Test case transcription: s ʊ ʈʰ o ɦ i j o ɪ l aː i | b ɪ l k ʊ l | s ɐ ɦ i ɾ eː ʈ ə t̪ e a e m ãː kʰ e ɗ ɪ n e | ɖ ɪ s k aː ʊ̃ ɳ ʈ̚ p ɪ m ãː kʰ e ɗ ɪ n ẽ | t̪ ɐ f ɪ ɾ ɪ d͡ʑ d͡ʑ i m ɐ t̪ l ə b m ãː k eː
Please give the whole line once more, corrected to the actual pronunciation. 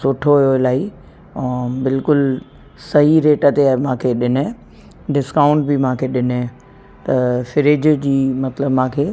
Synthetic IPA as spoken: s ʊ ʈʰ o ɦ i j o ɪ l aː i | b ɪ l k ʊ l | s ɐ ɦ i ɾ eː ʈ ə t̪ e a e m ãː kʰ e ɗ ɪ n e | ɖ ɪ s k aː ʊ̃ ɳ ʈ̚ b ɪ m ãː kʰ e ɗ ɪ n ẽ | t̪ ɐ f ɪ ɾ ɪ d͡ʑ d͡ʑ iː m ɐ t̪ l ə b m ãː kʰ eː